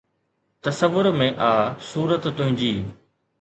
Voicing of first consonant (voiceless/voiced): voiceless